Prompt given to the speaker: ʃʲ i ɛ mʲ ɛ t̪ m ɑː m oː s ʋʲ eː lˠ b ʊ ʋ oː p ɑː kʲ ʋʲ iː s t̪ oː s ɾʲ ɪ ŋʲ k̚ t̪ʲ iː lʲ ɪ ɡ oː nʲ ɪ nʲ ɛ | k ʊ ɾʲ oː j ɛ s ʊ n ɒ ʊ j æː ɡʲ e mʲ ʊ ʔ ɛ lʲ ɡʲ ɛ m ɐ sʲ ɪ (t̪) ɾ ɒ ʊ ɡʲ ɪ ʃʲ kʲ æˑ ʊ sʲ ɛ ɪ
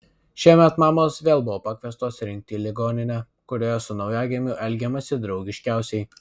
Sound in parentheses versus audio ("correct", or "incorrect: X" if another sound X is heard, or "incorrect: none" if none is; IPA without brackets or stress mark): incorrect: d̪